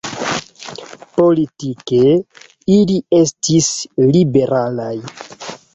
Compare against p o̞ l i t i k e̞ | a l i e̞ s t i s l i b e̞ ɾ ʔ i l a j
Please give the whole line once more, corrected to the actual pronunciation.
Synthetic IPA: p o̞ l i t i k e̞ | i l i e̞ s t i s l i b e̞ ɾ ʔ a l a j